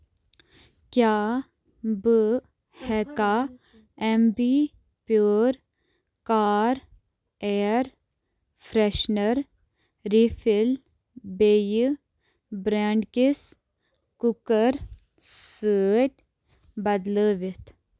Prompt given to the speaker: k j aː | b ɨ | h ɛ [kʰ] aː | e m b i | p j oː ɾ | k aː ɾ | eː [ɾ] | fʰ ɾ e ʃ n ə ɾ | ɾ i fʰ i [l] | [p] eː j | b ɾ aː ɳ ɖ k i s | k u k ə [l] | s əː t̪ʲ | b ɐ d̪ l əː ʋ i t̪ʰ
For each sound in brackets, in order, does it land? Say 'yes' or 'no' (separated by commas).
no, yes, yes, no, no